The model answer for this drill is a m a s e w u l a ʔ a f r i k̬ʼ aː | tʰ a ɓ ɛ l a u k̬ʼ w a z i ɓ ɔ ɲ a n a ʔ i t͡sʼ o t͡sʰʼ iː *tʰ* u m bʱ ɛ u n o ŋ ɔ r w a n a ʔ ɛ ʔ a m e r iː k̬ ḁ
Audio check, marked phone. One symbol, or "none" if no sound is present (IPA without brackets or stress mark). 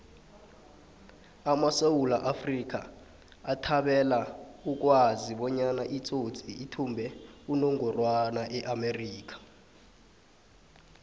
tʰ